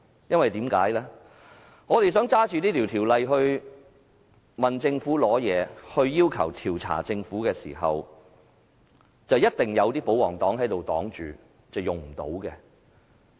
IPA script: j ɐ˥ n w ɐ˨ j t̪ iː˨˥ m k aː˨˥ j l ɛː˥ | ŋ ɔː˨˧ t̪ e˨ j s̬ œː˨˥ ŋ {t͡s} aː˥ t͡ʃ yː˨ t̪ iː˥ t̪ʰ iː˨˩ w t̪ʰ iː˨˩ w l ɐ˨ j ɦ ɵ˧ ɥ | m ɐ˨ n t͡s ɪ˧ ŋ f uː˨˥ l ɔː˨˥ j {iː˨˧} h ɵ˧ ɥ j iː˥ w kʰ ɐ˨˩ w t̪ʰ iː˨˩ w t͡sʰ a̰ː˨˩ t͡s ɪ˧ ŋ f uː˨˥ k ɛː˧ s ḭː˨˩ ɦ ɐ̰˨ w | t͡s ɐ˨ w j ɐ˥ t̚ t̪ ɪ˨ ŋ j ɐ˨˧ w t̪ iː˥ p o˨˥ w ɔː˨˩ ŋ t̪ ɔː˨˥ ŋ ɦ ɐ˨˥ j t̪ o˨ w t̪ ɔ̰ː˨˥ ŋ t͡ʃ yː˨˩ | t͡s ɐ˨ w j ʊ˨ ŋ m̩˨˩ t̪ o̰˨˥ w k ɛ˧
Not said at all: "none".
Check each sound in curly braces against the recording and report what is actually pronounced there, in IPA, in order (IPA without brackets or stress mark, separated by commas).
t͡s, ɛː˨˧